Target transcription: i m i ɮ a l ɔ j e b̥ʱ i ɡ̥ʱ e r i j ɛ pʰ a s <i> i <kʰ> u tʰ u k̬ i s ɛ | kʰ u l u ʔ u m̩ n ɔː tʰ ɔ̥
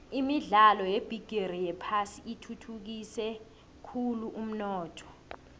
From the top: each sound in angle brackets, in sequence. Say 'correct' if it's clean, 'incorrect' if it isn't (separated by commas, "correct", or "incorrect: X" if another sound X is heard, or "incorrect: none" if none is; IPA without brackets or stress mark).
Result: correct, incorrect: tʰ